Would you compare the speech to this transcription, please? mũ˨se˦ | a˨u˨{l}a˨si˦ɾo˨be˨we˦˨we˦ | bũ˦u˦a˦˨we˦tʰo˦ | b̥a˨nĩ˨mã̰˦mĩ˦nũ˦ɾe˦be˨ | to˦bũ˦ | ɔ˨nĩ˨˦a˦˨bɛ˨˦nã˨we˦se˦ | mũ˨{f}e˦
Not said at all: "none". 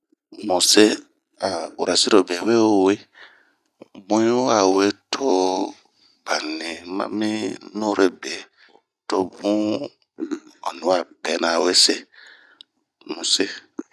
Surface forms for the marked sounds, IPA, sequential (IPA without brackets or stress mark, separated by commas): ɾ, s